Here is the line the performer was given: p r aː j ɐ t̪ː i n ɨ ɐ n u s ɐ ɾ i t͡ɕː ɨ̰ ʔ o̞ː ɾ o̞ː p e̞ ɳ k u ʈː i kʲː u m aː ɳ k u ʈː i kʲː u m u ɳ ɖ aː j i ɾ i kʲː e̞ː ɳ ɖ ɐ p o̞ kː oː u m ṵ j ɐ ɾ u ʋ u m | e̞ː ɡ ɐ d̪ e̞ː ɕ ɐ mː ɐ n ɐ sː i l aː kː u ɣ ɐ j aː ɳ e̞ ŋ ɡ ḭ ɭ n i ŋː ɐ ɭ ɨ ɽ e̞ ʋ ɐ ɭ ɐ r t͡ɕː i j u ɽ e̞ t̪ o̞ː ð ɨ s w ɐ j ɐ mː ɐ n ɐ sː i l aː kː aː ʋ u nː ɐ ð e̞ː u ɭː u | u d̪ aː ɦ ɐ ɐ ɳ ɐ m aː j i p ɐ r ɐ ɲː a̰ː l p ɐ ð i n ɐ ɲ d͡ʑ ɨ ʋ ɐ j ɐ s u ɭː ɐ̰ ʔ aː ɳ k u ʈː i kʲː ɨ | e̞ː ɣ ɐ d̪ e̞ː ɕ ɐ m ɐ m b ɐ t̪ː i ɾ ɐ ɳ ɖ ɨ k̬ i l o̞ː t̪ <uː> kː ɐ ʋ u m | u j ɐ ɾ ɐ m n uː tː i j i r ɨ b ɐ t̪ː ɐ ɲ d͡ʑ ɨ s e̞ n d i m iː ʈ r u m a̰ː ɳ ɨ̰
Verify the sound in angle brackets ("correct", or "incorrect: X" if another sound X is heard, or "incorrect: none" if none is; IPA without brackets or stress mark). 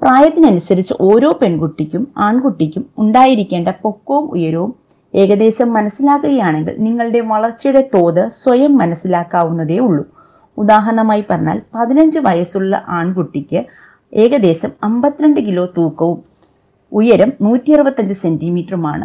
correct